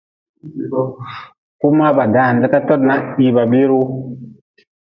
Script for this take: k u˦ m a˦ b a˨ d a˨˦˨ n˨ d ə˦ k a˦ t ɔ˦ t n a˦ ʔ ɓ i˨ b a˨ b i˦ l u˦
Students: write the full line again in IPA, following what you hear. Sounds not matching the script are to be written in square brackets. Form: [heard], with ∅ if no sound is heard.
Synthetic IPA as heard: k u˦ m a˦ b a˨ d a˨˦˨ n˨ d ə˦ k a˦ t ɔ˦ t n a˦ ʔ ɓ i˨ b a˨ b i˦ [ɾ] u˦